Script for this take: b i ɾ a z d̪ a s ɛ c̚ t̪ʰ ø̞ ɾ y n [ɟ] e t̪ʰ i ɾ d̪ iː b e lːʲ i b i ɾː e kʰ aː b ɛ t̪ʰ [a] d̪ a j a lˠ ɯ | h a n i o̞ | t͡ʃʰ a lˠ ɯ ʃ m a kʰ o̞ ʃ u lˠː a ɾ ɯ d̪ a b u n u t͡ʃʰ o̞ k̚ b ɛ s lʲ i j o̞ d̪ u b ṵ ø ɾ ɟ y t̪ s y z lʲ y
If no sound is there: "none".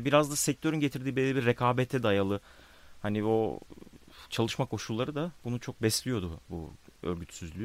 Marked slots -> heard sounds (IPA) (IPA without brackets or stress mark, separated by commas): ɟ, ɛ